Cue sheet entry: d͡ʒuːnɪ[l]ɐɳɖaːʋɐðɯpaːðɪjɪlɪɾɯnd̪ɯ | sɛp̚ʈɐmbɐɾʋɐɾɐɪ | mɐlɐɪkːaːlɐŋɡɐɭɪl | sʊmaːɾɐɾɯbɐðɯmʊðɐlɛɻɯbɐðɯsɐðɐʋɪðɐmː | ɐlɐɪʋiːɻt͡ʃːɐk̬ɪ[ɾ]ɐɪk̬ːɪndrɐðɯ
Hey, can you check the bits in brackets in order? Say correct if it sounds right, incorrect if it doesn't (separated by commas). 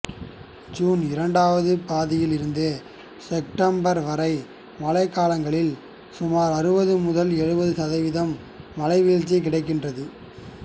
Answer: incorrect, incorrect